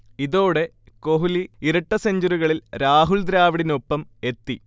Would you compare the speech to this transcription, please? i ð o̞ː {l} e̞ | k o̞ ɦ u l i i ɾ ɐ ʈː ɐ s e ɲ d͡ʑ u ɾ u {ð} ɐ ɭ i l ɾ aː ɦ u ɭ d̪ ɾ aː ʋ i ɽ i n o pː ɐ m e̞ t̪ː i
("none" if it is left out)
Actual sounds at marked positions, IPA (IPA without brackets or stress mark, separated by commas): ɽ, ɣ